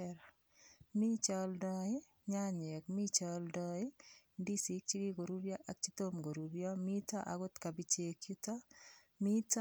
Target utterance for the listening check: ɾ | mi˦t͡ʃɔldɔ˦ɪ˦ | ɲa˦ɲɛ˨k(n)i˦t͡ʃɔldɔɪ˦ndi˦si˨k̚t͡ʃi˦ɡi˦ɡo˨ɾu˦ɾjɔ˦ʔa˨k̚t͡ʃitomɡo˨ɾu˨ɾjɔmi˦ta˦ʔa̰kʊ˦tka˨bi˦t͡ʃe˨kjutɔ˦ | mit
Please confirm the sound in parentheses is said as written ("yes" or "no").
no